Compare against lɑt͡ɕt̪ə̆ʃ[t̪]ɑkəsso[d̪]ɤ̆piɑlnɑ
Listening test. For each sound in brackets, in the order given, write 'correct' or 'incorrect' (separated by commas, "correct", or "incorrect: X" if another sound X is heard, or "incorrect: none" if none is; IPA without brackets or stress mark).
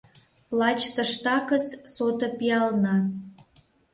correct, incorrect: t̪